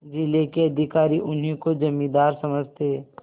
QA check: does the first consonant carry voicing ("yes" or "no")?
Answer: yes